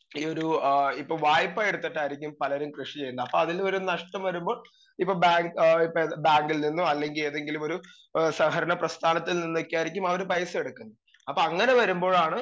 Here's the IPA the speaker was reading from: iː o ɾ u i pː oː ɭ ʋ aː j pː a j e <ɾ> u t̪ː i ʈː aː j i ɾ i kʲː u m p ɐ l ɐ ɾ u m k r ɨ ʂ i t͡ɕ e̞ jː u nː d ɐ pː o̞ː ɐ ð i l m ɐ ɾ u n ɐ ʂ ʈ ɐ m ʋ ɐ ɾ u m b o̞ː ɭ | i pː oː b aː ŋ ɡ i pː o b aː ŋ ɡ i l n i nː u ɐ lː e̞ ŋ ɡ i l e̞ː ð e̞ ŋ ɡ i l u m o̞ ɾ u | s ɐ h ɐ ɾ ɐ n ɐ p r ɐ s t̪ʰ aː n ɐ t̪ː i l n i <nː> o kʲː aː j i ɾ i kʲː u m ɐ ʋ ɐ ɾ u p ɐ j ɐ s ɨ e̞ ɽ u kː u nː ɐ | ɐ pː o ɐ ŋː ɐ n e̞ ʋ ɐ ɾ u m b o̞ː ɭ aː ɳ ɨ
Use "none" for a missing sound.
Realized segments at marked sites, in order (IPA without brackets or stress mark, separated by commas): ɽ, nː